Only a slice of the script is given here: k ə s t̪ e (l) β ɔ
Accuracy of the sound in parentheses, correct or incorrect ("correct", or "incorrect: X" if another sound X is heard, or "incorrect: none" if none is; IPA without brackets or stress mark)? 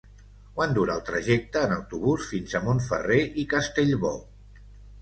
incorrect: ʎ